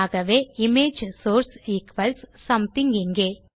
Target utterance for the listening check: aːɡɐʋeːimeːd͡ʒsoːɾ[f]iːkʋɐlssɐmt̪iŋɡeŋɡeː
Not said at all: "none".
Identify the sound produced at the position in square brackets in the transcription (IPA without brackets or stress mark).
s